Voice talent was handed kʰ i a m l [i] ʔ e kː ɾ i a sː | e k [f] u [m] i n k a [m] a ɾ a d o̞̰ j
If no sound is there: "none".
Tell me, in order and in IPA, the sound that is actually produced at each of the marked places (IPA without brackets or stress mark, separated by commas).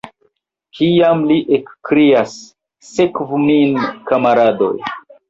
i, v, m, m